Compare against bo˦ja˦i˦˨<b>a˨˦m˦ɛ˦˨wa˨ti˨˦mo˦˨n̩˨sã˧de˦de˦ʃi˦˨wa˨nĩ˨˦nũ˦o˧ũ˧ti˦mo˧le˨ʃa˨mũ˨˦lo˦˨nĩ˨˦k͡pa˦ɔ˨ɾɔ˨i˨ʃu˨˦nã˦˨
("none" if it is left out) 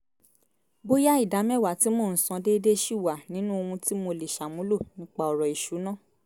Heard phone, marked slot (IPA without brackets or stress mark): d